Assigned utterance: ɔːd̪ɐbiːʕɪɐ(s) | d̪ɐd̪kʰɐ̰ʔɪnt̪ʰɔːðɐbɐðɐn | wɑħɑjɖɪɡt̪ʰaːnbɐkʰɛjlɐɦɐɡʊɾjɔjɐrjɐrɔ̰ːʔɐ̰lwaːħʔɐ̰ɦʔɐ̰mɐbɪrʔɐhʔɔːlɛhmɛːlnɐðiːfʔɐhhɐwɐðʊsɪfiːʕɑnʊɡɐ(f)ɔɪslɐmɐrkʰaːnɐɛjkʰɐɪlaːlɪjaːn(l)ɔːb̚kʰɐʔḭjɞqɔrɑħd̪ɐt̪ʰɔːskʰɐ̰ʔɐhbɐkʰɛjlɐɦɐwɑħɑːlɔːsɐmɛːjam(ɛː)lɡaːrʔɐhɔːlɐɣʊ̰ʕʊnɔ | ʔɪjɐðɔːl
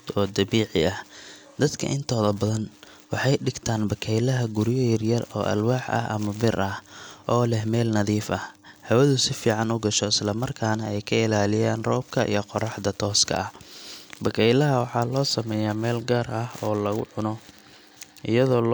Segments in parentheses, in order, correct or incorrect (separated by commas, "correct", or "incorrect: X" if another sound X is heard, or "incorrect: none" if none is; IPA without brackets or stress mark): incorrect: h, incorrect: ʃ, incorrect: r, correct